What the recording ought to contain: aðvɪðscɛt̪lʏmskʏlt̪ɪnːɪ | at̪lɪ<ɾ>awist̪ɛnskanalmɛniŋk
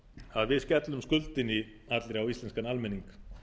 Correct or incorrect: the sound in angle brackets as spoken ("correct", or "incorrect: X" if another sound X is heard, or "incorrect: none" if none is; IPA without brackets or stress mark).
correct